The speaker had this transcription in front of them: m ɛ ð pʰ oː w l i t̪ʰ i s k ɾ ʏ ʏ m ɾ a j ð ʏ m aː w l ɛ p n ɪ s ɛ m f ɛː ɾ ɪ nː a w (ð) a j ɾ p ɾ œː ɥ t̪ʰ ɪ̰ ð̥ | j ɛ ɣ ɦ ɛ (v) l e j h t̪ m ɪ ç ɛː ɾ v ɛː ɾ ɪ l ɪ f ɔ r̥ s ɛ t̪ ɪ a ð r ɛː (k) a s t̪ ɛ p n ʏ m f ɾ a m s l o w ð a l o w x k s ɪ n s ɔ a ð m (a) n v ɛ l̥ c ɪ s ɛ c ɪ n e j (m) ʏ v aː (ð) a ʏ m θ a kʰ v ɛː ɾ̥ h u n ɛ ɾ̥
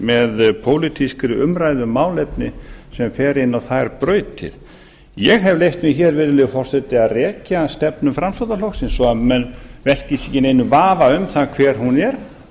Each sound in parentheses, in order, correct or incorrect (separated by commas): incorrect, correct, incorrect, incorrect, incorrect, incorrect